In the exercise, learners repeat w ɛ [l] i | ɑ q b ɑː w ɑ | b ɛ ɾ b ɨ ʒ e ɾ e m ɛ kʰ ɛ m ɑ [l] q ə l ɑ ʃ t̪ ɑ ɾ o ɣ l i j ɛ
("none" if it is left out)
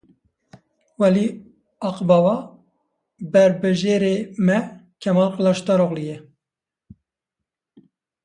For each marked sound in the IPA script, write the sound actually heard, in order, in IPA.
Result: l, l

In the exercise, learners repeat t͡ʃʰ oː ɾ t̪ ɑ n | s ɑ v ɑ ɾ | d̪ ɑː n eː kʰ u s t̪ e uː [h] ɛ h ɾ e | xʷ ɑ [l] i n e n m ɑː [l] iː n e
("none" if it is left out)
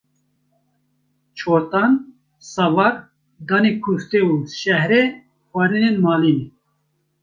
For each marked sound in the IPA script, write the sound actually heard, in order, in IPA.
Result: ʃ, ɾ, l

